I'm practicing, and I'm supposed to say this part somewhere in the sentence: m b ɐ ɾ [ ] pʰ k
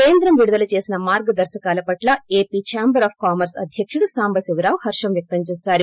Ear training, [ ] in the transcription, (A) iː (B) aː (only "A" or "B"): B